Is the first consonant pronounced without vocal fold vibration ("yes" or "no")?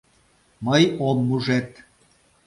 no